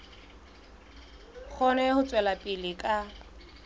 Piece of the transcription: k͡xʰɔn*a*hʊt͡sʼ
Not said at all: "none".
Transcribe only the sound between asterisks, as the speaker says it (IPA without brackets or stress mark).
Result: ɛ